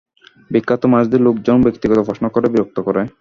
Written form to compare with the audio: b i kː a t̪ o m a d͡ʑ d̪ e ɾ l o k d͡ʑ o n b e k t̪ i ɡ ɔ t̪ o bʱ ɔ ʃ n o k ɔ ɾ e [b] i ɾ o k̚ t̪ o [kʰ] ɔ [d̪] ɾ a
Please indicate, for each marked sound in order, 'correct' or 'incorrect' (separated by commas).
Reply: correct, incorrect, incorrect